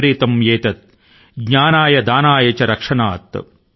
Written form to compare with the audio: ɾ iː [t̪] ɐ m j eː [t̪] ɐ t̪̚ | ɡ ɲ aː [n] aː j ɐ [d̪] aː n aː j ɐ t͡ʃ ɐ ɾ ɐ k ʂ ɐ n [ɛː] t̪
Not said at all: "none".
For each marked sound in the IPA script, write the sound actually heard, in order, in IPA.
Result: t̪, t̪, n, d̪, aː

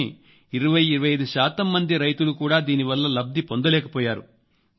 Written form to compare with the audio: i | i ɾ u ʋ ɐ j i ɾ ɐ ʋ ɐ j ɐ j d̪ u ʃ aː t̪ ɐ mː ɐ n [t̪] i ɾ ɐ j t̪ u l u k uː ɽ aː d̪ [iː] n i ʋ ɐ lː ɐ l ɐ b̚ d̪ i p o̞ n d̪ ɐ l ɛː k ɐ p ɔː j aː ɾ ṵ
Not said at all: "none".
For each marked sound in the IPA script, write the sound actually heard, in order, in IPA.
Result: d̪, iː

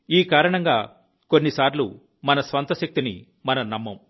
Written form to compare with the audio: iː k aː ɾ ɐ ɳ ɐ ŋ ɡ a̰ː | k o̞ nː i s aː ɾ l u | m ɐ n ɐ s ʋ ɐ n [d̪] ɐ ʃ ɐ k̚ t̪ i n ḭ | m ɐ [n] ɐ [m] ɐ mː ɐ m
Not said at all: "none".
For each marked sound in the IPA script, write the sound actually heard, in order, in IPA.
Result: t̪, n, n

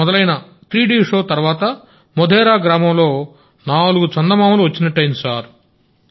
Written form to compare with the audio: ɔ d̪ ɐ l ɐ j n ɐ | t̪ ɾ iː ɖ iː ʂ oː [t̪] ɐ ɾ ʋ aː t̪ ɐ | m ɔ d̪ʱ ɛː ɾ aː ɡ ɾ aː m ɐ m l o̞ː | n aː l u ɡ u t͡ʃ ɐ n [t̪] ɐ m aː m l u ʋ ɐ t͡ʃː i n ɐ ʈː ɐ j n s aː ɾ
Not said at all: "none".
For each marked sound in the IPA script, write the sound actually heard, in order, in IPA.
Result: t̪, d̪

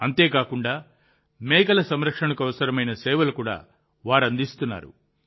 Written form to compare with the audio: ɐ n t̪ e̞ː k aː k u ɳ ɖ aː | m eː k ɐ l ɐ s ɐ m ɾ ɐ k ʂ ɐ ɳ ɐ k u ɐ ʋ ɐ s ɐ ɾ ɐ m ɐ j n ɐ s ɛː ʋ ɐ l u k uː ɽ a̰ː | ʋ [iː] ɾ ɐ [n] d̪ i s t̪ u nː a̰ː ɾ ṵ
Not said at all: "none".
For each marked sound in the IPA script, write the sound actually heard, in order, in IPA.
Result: aː, n

